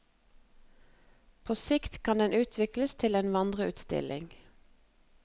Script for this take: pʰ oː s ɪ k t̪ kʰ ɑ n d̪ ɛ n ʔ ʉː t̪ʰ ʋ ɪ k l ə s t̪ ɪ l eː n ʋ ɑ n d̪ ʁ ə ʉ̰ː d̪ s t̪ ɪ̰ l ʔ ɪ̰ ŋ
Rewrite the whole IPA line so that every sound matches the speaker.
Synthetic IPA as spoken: pʰ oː s ɪ k t̪ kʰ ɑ n d̪ ɛ n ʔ ʉː t̪ʰ ʋ ɪ k l ə s t̪ʰ ɪ l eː n ʋ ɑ n d̪ ʁ ə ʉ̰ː t̪ s t̪ ɪ̰ l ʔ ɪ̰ ŋ